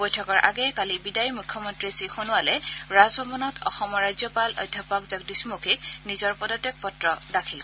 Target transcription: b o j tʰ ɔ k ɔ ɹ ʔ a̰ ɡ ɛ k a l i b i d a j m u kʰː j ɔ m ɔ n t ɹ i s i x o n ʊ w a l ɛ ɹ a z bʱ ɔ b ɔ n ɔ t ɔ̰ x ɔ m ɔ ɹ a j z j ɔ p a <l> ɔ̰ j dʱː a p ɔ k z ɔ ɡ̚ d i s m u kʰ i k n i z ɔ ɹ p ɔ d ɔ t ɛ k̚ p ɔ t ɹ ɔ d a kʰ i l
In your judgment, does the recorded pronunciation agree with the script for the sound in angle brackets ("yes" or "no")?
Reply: yes